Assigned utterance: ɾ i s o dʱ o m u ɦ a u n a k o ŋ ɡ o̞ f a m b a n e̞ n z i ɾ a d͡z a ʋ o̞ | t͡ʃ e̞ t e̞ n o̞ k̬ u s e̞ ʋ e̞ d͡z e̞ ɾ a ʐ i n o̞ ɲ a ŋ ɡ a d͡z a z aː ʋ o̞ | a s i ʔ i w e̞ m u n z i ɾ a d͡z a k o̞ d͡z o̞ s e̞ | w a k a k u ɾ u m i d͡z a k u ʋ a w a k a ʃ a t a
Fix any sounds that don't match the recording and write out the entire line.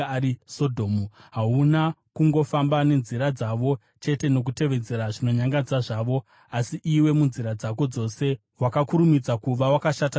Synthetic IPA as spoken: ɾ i s o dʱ o m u ɦ a u n a k u ŋ ɡ o̞ f a m b a n e̞ n z i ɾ a d͡z a ʋ o̞ | t͡ʃ e̞ t e̞ n o̞ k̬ u t e̞ ʋ e̞ d͡z e̞ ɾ a ʐ i n o̞ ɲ a ŋ ɡ a d͡z a ʐ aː ʋ o̞ | a s i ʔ i w e̞ m u n z i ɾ a d͡z a k o̞ d͡z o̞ s e̞ | w a k a k u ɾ u m i d͡z a k u ʋ a w a k a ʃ a t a